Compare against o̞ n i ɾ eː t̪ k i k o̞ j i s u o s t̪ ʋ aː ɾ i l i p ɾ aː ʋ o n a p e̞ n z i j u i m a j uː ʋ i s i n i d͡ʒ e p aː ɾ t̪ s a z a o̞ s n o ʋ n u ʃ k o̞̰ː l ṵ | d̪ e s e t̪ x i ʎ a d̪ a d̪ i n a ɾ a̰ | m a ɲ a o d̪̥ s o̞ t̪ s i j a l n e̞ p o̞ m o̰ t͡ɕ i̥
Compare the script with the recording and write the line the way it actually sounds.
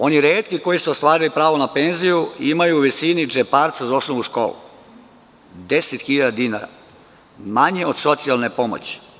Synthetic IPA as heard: o̞ n i ɾ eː t̪ k i k o̞ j i s u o s t̪ ʋ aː ɾ i l i p ɾ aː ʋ o n a p e̞ n z i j u i m a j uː ʋ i s i n i d͡ʒ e p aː ɾ t̪ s a z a o̞ s n o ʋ n u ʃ k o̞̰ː l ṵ | d̪ e s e t̪ x i ʎ a d̪ a d̪ i n a ɾ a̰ | m a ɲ e o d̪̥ s o̞ t̪ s i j a l n e̞ p o̞ m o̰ t͡ɕ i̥